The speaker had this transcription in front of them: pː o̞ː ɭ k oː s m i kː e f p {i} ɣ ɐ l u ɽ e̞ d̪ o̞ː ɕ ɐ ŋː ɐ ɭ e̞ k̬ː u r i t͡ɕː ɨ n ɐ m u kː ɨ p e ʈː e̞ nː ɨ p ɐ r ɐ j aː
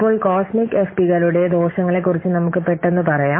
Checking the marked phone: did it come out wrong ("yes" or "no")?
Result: no